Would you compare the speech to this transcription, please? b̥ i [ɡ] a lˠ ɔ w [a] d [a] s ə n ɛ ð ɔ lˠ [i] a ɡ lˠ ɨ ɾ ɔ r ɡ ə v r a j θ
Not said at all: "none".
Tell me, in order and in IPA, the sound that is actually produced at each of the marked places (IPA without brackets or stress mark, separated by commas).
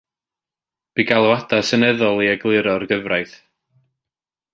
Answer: ɡ, a, a, i